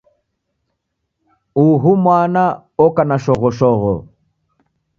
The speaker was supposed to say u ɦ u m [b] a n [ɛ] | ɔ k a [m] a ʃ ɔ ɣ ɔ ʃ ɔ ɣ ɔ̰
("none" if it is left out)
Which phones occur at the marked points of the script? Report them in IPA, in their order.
w, a, n

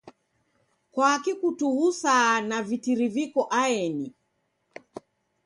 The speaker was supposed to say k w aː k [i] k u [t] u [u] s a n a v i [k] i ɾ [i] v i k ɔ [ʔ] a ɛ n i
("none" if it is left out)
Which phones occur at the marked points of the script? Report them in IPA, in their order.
i, t, u, t, i, ʔ

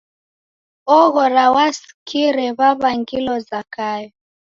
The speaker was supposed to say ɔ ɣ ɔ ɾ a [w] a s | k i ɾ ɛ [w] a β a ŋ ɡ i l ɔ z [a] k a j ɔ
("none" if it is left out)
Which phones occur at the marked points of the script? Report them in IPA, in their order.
w, β, a

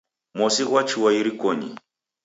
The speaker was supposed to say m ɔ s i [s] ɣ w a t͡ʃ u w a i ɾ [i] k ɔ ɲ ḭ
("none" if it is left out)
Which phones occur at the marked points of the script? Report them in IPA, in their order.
none, i

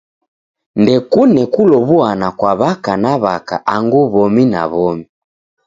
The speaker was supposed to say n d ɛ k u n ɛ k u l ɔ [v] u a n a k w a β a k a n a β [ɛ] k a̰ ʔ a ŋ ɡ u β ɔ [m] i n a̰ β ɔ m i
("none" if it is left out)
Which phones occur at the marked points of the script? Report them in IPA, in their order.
β, a, m

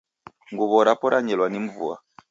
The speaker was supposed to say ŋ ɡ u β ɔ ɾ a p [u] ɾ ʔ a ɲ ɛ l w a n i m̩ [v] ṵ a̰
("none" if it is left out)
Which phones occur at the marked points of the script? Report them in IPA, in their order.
ɔ, v

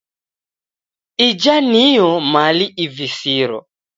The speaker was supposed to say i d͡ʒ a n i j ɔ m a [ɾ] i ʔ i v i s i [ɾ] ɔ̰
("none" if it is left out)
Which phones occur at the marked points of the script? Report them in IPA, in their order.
l, ɾ

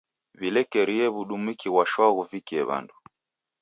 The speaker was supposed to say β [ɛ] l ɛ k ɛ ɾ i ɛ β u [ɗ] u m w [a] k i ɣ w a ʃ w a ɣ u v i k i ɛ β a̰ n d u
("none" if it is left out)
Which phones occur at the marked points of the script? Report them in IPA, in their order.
i, ɗ, i

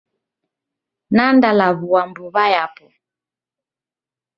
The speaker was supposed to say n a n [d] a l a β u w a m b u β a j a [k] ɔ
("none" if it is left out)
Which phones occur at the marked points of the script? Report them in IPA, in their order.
d, p

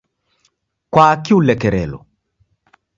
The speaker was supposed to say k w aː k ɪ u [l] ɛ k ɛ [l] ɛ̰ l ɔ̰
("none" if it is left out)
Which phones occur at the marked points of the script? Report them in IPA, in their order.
l, ɾ

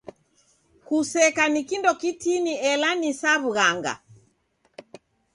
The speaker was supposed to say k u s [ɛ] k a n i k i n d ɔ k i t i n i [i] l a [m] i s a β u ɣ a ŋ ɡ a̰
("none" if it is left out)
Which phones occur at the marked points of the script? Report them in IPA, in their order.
ɛ, ɛ, n

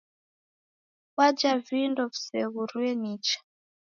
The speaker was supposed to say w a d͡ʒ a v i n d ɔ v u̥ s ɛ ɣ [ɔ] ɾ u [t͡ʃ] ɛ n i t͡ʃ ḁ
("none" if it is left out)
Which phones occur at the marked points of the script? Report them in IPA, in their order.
u, none

